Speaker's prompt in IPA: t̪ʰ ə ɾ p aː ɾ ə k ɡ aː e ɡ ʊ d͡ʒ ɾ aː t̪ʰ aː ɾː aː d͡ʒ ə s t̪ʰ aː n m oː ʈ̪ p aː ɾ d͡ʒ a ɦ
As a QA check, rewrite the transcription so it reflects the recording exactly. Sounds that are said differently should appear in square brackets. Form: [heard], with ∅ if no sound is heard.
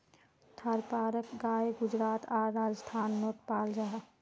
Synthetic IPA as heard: t̪ʰ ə ɾ p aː ɾ ə k ɡ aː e ɡ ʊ d͡ʒ ɾ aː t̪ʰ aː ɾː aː d͡ʒ ə s t̪ʰ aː n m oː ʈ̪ p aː [l] d͡ʒ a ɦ